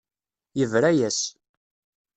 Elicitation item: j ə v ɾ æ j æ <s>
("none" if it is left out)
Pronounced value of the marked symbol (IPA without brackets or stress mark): s